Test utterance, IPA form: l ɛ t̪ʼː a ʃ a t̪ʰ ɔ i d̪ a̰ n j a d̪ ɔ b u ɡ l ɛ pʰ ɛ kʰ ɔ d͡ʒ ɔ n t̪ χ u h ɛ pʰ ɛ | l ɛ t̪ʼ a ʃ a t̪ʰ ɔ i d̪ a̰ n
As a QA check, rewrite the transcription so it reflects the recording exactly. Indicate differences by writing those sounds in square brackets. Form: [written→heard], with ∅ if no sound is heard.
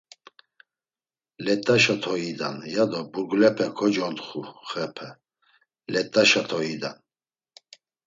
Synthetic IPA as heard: l ɛ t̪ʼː a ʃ a t̪ʰ ɔ i d̪ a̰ n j a d̪ ɔ b u ɡ l ɛ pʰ ɛ kʰ ɔ d͡ʒ ɔ n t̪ χ u [h→χ] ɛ pʰ ɛ | l ɛ t̪ʼ a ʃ a t̪ʰ ɔ i d̪ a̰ n

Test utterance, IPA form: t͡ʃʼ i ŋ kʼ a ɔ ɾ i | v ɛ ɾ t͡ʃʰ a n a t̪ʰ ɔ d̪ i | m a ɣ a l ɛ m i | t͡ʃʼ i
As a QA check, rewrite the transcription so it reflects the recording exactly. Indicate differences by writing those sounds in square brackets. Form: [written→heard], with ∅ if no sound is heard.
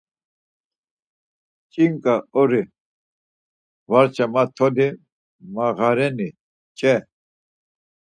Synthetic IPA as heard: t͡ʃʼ i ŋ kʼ a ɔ ɾ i | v [ɛ→a] ɾ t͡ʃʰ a [n→m] a t̪ʰ ɔ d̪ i | m a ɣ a [l→ɾ] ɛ [m→n] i | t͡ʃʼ [i→ɛ]

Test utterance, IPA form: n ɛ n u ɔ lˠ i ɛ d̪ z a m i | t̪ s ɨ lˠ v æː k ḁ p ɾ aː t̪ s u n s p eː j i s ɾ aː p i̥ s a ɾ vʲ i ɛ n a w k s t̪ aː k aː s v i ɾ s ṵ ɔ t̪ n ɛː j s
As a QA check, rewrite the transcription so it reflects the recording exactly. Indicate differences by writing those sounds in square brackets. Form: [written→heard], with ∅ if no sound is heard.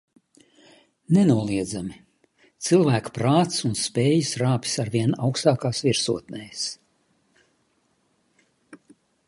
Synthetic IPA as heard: n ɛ n u ɔ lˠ i ɛ d̪ z a m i | t̪ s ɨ lˠ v æː k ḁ p ɾ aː t̪ s u n s p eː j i s ɾ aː p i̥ s a ɾ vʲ i ɛ n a w k s t̪ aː k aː s v i ɾ s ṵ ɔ t̪ n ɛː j s

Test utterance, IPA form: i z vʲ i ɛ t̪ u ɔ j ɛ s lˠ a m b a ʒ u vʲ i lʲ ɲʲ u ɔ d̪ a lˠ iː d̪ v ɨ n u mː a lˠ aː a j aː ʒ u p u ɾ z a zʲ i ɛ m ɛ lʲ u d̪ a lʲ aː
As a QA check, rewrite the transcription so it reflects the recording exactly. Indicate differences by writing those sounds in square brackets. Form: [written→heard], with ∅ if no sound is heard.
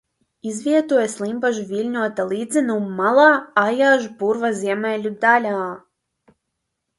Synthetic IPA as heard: i z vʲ i ɛ t̪ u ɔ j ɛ s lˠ [a→i] m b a ʒ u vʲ i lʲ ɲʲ u ɔ [d̪→t̪] a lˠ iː d̪ [v→z] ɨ n u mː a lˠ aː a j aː ʒ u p u ɾ [z→v] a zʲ i ɛ m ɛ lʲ u d̪ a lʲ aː

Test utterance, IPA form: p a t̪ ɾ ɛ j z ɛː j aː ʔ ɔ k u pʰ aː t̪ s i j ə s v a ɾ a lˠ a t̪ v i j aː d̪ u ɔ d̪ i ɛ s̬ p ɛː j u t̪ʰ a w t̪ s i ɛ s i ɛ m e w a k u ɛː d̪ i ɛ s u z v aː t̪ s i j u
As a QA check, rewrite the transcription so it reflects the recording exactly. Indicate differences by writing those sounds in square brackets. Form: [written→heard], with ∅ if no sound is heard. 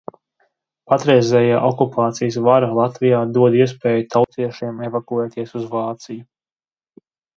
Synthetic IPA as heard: p a t̪ ɾ ɛ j z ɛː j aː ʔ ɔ k u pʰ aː t̪ s i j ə s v a ɾ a lˠ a t̪ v i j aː d̪ u ɔ d̪ i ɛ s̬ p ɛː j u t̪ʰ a w t̪ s i ɛ [s→ʃ] i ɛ m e [w→v] a k u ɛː [d̪→t̪] i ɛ s u z v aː t̪ s i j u

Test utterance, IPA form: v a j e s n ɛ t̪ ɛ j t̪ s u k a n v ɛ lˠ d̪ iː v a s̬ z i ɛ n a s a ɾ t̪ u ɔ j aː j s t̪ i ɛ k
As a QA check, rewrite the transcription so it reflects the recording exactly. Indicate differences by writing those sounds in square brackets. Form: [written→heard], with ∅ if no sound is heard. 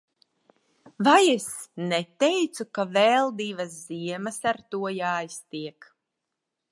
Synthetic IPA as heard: v a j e s n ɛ t̪ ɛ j t̪ s u k a [n→∅] v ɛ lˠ d̪ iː v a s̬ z i ɛ [n→m] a s a ɾ t̪ u ɔ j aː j s t̪ i ɛ k

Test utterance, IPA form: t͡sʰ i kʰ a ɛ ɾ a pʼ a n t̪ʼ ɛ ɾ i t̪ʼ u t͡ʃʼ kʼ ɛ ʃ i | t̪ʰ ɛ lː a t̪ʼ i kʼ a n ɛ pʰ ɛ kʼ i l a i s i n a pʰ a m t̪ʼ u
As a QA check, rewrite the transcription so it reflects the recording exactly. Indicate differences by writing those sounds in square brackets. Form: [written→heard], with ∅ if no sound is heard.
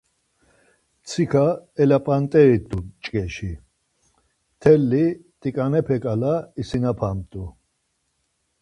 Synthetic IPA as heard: t͡sʰ i kʰ a ɛ [ɾ→l] a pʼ a n t̪ʼ ɛ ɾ i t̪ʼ u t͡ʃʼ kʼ ɛ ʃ i | t̪ʰ ɛ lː [a→i] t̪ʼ i kʼ a n ɛ pʰ ɛ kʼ [i→a] l a i s i n a pʰ a m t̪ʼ u

